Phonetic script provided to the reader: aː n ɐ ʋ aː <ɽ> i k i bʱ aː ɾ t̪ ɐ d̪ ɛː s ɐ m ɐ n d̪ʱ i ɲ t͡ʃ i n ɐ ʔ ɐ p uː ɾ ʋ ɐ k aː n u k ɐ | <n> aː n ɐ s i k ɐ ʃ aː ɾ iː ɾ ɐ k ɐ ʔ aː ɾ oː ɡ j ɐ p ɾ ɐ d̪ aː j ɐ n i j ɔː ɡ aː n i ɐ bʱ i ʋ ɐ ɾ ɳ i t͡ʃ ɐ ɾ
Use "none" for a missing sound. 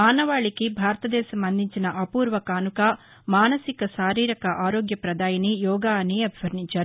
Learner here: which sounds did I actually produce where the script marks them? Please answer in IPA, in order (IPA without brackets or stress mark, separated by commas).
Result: ɭ, m